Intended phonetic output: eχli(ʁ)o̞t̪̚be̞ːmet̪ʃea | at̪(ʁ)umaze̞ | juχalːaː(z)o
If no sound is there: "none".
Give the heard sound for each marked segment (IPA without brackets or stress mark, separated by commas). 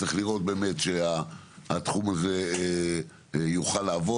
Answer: ʁ, χ, v